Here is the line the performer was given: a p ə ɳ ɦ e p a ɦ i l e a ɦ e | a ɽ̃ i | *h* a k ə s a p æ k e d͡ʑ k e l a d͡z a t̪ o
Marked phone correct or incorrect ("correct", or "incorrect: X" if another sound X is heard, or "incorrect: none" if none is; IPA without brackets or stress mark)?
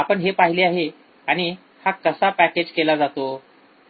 correct